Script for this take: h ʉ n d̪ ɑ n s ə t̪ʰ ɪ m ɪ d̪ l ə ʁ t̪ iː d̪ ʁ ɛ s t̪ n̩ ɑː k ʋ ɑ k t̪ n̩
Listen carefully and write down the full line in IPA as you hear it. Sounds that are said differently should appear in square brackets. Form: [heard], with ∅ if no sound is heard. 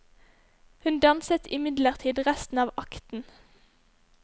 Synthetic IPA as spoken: h ʉ n d̪ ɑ n s ə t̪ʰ ɪ m ɪ d̪ l ə ʁ [t̪ʰ] iː d̪ ʁ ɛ s t̪ n̩ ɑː [∅] ʋ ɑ k t̪ n̩